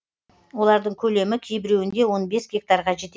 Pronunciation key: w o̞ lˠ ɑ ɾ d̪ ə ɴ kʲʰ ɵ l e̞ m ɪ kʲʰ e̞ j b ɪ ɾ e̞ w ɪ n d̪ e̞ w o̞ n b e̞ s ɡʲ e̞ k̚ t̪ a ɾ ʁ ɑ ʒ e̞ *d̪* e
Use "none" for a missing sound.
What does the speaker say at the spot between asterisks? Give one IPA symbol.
t̪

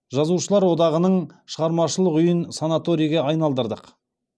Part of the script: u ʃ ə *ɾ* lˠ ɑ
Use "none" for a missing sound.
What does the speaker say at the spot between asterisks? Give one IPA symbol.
none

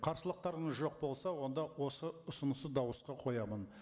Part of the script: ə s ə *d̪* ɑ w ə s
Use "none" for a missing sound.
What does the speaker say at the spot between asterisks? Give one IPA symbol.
d̪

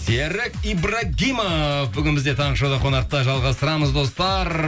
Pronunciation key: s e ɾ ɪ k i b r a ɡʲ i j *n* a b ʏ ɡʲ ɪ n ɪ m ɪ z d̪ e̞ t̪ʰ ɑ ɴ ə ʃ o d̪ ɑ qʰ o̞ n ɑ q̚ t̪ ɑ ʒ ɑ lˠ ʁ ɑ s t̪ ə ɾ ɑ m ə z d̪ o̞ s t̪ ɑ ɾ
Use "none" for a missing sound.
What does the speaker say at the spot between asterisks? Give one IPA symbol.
m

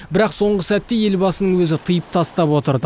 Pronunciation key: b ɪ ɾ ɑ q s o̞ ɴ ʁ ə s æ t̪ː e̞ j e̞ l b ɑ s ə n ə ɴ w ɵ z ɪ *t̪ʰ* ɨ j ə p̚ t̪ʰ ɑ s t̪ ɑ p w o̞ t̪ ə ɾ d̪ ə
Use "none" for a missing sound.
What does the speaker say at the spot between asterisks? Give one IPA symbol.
t̪ʰ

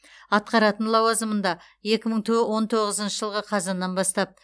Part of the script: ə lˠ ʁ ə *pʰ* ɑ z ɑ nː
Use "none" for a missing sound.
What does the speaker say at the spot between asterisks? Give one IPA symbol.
qʰ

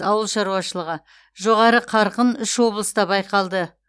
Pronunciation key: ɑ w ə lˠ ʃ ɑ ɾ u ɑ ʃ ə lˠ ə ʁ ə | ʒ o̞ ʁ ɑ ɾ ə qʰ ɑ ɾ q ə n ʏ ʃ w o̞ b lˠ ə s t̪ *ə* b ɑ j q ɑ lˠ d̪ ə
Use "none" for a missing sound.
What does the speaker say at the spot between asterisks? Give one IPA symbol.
ɑ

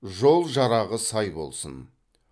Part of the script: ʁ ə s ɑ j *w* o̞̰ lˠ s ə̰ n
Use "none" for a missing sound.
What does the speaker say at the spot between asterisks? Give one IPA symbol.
b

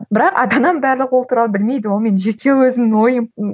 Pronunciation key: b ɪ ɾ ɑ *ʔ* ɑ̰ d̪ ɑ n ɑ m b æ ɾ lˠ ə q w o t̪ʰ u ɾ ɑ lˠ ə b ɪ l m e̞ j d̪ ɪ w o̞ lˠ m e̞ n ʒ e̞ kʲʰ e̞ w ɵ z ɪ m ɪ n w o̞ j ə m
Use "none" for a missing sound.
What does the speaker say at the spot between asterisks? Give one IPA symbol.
q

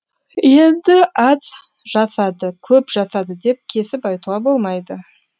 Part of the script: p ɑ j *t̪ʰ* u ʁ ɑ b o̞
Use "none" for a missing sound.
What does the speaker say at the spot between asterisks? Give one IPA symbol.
t̪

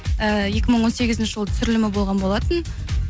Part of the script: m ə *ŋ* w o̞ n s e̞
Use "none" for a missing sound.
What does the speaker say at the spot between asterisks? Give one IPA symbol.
ɴ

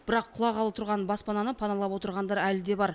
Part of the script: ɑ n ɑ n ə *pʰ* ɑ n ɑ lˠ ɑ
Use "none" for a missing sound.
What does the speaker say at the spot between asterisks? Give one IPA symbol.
pʰ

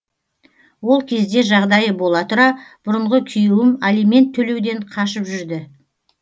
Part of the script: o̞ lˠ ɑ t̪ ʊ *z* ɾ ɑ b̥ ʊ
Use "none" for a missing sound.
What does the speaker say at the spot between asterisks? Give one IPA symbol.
none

